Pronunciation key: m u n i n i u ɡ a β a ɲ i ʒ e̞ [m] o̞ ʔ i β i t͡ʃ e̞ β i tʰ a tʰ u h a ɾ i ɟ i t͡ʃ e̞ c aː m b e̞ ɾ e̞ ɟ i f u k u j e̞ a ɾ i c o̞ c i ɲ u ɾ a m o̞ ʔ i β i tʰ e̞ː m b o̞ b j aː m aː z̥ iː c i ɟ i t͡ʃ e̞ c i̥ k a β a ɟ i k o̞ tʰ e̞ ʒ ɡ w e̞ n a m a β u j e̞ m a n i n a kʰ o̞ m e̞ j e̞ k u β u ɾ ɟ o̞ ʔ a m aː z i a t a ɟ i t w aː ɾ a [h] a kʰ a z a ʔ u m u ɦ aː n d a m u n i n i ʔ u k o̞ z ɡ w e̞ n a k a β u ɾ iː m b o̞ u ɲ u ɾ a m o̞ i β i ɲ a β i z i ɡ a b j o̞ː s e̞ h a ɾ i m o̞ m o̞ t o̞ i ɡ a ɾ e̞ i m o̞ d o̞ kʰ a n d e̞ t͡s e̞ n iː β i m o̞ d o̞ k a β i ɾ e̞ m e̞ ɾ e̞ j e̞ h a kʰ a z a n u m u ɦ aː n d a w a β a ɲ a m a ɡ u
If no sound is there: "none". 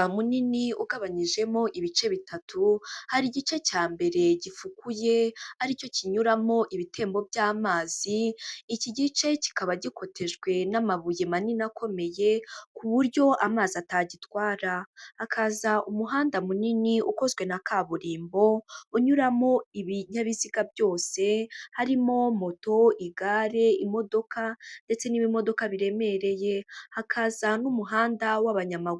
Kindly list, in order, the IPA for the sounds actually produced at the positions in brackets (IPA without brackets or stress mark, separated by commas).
m, h